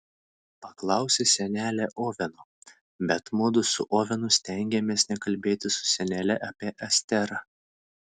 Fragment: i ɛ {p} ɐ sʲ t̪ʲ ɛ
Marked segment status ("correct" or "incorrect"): incorrect